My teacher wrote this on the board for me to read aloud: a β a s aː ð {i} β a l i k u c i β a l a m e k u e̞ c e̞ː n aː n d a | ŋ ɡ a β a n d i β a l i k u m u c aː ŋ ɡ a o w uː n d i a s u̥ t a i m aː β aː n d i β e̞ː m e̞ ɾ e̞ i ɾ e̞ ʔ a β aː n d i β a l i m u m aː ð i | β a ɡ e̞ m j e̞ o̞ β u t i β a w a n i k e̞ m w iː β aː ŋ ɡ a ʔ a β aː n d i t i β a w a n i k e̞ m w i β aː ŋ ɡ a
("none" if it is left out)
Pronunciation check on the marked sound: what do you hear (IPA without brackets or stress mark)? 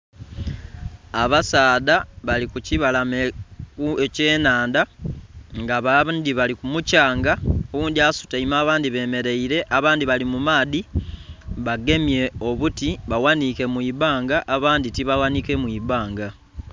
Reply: a